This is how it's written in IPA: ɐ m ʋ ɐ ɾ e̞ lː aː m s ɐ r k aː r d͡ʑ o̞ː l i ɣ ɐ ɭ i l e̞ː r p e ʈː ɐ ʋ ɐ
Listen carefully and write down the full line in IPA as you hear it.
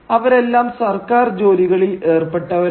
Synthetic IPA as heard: ɐ ʋ ɐ ɾ e̞ lː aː m s ɐ r k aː r d͡ʑ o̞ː l i ɣ ɐ ɭ i l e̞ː r p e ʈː ɐ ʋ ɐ